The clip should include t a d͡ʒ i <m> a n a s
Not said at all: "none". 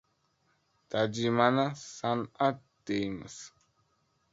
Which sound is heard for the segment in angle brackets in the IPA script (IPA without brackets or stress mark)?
m